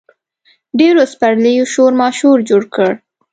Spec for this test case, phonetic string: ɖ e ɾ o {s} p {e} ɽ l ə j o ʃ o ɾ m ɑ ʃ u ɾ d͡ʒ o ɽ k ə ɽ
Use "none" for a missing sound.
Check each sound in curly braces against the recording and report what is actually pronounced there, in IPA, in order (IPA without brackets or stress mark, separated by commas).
s, a